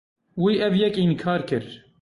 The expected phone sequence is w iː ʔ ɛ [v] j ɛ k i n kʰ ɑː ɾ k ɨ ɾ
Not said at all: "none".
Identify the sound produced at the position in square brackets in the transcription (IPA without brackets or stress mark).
v